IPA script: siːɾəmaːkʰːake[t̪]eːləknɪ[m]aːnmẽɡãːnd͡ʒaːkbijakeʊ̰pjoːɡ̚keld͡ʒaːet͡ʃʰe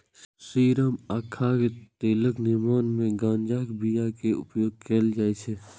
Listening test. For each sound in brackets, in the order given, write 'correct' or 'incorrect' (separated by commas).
correct, correct